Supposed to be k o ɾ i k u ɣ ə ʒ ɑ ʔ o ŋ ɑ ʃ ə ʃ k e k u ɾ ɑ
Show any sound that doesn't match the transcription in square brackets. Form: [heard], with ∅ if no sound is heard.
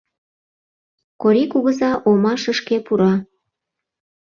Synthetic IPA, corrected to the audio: k o ɾ i k u ɣ ə [z] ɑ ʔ o [m] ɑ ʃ ə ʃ k e [p] u ɾ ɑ